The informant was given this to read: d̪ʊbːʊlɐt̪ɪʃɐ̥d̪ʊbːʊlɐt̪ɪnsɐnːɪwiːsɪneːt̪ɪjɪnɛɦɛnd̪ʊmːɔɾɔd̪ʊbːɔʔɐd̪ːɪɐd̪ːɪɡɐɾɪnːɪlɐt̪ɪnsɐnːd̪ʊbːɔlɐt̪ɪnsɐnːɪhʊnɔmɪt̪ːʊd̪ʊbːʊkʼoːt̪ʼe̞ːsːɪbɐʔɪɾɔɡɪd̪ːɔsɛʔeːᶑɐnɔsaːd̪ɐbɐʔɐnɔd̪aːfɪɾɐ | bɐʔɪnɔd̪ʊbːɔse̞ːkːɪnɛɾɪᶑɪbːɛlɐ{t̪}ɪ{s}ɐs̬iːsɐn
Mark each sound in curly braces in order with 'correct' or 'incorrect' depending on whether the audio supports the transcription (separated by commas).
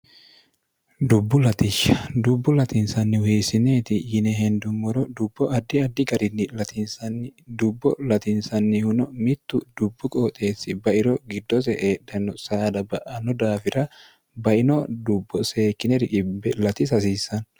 correct, correct